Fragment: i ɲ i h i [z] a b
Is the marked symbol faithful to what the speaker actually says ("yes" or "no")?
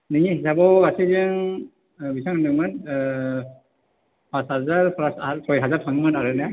no